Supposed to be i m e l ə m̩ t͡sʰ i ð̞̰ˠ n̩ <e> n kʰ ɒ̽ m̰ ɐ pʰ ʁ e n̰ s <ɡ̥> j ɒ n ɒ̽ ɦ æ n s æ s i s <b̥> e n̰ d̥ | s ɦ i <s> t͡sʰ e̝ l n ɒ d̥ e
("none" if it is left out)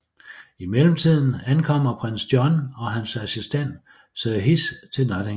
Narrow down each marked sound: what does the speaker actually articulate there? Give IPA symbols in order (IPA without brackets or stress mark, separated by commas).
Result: æ, d̥, d̥, s